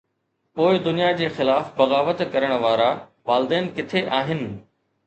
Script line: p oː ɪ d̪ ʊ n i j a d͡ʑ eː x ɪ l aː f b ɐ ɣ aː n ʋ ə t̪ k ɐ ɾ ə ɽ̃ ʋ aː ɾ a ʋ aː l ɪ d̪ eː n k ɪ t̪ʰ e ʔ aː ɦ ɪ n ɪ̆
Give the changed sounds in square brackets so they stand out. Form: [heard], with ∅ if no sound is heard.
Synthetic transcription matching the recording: p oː ɪ d̪ ʊ n i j a d͡ʑ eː x ɪ l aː f b ɐ ɣ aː [∅] ʋ ə t̪ k ɐ ɾ ə ɽ̃ ʋ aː ɾ a ʋ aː l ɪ d̪ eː n k ɪ t̪ʰ e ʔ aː ɦ ɪ n ɪ̆